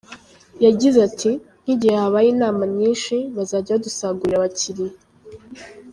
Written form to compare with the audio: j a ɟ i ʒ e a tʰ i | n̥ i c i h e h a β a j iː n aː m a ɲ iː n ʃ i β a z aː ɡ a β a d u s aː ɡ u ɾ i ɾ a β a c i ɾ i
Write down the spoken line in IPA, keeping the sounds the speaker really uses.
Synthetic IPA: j a ɟ i z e a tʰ i | n̥ i ɟ i h e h a β a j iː n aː m a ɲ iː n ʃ i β a z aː ɟ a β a d u s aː ɡ u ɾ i ɾ a β a c i ɾ i